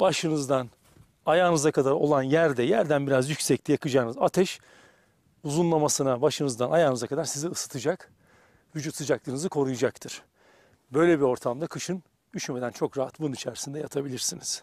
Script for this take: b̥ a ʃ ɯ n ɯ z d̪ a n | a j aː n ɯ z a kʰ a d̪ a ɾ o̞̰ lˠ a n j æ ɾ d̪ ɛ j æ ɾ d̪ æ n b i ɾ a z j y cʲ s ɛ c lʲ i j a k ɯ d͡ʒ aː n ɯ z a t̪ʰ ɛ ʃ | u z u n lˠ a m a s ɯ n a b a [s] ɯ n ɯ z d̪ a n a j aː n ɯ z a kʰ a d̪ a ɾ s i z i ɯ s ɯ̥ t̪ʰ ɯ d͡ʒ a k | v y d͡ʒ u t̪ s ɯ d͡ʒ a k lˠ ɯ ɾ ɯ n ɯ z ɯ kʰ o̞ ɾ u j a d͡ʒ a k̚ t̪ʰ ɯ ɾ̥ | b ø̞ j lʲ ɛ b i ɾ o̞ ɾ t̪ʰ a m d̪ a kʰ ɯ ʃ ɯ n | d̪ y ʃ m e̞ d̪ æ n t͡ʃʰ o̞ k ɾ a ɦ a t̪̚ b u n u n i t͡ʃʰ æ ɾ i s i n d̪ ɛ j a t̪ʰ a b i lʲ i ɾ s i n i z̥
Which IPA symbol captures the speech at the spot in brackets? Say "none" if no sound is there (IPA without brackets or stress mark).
ʃ